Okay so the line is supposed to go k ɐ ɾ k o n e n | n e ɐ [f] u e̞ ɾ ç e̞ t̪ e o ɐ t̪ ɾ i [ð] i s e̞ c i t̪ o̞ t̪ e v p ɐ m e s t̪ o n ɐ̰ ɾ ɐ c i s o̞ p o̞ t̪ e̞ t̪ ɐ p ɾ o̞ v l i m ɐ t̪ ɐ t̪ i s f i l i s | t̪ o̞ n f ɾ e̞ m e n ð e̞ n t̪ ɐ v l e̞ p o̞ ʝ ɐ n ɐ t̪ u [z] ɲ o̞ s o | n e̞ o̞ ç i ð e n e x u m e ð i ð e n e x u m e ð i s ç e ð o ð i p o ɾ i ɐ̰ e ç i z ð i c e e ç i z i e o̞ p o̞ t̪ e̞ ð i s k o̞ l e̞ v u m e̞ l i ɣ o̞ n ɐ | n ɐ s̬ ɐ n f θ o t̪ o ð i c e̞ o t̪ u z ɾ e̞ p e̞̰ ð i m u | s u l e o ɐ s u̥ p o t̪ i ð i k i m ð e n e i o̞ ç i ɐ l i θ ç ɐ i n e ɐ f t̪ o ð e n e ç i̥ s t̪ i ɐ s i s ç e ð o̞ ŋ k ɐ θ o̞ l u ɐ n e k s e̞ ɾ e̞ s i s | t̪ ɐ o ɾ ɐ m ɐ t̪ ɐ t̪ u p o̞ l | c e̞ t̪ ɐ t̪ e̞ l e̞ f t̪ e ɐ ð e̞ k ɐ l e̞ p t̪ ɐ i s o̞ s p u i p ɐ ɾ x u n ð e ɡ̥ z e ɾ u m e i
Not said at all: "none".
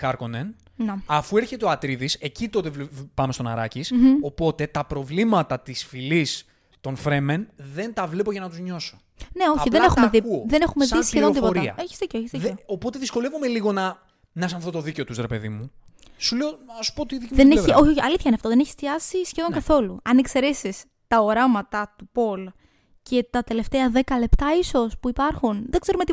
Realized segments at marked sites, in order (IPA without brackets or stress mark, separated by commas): f, ð, z